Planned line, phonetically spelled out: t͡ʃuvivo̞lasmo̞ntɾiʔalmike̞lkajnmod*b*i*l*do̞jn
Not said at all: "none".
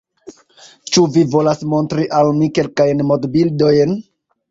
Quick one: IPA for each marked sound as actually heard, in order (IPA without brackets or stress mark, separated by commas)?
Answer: b, l